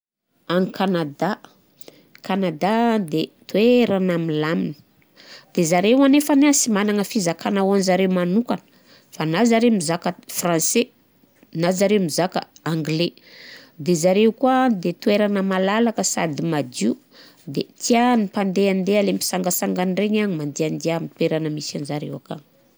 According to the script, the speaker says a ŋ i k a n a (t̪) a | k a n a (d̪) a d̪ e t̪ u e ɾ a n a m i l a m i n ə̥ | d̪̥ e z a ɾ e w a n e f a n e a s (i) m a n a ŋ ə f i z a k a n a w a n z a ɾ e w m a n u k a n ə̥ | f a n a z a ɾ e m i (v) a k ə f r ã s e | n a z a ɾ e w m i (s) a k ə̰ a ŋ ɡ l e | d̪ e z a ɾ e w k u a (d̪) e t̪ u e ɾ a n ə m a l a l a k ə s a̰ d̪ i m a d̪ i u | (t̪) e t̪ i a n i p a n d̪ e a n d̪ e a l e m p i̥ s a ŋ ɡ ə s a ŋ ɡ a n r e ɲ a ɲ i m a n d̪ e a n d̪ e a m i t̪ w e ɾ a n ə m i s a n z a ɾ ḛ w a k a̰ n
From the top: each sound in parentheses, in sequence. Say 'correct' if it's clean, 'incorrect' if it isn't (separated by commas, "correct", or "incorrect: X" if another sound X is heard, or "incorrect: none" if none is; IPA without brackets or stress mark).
incorrect: d̪, correct, correct, incorrect: z, incorrect: z, correct, incorrect: d̪